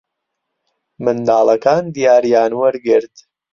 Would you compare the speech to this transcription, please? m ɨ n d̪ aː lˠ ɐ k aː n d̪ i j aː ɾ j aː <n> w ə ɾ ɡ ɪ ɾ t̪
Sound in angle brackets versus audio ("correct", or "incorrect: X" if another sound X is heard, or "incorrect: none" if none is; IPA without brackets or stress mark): correct